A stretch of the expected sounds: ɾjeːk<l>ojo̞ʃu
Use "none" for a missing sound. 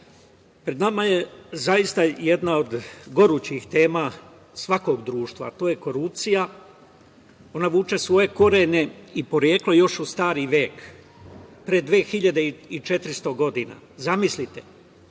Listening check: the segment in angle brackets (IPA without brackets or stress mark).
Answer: l